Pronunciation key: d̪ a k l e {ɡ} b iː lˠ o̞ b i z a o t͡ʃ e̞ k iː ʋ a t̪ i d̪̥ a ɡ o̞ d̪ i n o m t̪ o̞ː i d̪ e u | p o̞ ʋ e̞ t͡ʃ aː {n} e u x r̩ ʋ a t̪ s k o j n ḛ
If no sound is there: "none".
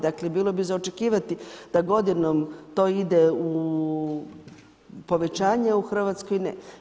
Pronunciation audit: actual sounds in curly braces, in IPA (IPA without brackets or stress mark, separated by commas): none, ɲ